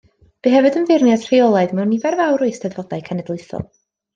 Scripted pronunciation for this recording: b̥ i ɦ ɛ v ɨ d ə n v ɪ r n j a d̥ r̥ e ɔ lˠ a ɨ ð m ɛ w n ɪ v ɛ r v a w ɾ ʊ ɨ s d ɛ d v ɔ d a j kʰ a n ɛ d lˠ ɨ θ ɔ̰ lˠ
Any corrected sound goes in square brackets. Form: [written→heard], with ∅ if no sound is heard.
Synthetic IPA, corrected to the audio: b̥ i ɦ ɛ v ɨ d ə n v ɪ r n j a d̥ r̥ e ɔ lˠ a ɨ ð m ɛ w n [ɪ→i] v ɛ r v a w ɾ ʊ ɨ s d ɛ d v ɔ d a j kʰ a n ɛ d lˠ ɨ θ ɔ̰ lˠ